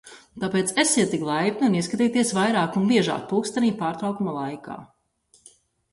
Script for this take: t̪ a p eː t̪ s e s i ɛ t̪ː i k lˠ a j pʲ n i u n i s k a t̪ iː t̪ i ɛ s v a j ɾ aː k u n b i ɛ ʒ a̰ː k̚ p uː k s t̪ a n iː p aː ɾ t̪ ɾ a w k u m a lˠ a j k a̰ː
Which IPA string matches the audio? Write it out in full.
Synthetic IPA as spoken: t̪ a p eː t̪ s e s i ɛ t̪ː i k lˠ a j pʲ n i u n i s k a t̪ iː t̪ i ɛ s v a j ɾ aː k u n b i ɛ ʒ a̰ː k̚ p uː k s t̪ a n iː p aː ɾ t̪ ɾ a w k u m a lˠ a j k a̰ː